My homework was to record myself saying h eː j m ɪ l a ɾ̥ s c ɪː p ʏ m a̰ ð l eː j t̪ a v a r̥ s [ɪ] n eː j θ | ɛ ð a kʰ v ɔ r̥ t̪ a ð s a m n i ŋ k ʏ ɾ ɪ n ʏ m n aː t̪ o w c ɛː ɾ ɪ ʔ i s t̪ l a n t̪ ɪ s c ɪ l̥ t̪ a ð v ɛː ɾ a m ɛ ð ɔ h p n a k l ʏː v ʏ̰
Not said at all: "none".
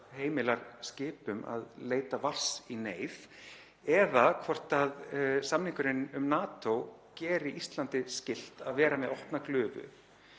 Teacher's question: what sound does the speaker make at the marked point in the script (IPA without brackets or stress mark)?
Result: i